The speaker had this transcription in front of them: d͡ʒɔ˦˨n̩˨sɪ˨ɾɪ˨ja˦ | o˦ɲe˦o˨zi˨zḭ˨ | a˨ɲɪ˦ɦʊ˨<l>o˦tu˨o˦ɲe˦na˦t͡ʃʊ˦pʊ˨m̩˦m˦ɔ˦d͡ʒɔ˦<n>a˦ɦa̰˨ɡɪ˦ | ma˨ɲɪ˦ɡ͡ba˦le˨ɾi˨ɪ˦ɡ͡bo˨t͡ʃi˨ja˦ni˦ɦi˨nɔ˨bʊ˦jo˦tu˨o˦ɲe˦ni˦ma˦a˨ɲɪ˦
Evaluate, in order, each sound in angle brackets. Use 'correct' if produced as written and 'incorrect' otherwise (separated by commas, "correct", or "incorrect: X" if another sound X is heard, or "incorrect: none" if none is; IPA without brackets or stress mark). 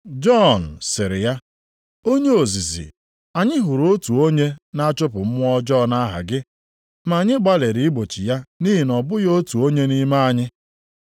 incorrect: ɾ, correct